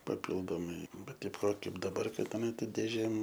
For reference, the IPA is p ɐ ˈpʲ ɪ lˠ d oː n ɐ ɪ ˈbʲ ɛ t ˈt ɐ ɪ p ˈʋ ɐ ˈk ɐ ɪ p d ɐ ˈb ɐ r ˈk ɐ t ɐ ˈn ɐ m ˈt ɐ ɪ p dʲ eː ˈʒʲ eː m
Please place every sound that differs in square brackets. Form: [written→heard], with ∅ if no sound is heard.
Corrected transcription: p ɐ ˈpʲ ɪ lˠ d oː [n→m] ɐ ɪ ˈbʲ ɛ t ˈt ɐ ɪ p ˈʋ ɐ ˈk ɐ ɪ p d ɐ ˈb ɐ r ˈk ɐ t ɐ ˈn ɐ [m→∅] ˈt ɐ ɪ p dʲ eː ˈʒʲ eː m